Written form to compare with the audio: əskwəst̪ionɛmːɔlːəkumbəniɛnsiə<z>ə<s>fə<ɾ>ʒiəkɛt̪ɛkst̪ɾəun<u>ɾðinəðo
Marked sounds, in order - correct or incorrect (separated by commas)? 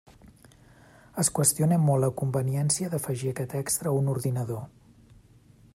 incorrect, incorrect, incorrect, correct